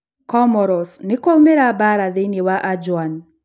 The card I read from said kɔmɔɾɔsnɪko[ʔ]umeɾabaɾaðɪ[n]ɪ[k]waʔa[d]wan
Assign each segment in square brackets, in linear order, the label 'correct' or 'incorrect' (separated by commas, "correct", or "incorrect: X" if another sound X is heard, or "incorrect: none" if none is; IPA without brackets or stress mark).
incorrect: none, correct, incorrect: none, incorrect: d͡ʒ